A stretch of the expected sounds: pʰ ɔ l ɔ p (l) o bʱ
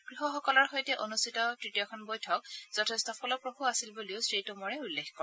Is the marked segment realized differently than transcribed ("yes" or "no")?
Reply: yes